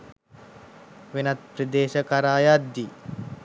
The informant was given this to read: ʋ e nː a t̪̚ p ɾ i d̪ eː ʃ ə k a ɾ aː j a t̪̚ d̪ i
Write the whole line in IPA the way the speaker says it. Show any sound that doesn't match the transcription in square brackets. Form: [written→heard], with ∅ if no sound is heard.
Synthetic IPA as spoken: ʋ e [nː→n] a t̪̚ p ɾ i d̪ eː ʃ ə k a ɾ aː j a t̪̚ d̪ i